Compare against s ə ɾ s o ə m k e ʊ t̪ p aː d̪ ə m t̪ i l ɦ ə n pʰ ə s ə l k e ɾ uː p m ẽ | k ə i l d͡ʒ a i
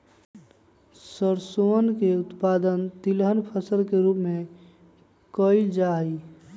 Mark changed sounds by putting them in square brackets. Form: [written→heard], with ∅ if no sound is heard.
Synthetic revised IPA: s ə ɾ s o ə [m→n] k e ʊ t̪ p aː d̪ ə [m→n] t̪ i l ɦ ə n pʰ ə s ə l k e ɾ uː p m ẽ | k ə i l d͡ʒ a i